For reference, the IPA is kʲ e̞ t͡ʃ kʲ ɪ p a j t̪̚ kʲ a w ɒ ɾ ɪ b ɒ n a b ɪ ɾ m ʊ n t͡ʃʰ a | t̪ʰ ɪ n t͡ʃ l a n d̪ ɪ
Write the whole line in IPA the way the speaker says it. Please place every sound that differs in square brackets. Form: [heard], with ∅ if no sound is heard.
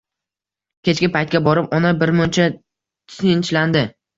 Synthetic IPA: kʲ e̞ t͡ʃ kʲ ɪ p a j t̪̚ kʲ a [b] ɒ ɾ ɪ [p] ɒ n a b ɪ ɾ m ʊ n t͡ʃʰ a | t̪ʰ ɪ n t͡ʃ l a n d̪ ɪ